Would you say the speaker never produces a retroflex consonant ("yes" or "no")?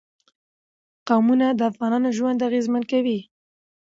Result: yes